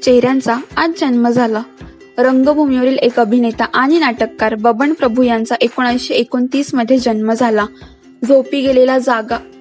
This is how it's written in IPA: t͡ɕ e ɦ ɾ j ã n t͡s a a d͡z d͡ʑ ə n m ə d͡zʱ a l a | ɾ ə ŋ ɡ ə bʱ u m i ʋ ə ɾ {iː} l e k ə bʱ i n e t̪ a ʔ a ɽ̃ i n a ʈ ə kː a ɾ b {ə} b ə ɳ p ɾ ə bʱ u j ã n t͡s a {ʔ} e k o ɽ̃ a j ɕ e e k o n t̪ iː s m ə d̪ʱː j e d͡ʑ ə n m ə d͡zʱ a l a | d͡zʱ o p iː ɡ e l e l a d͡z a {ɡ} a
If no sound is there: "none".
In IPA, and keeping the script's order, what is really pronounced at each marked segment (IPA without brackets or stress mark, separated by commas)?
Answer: iː, ə, ʔ, ɡ